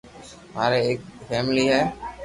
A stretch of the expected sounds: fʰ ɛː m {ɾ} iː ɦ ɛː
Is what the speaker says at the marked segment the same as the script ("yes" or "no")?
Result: no